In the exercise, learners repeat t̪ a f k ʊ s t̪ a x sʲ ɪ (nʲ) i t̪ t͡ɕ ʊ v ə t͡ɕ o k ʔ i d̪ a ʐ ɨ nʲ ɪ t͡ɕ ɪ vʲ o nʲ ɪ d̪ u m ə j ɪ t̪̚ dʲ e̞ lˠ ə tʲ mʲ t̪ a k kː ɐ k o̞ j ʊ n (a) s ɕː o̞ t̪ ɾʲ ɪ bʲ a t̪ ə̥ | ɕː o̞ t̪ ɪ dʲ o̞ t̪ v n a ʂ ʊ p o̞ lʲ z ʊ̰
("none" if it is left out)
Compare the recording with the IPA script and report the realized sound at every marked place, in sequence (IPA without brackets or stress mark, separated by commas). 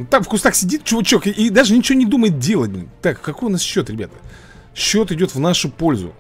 dʲ, a